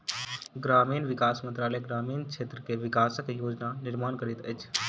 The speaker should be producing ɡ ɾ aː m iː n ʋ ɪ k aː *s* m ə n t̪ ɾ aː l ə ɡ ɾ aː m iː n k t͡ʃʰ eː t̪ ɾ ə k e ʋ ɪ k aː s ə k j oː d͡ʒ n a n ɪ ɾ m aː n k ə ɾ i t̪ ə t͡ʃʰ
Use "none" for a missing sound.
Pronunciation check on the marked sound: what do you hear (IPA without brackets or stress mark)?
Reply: s